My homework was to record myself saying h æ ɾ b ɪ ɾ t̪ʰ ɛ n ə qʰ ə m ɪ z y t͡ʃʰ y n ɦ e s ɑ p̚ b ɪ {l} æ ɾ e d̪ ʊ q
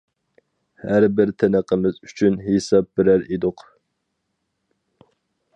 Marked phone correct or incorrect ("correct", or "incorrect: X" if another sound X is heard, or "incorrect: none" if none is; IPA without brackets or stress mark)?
incorrect: ɾ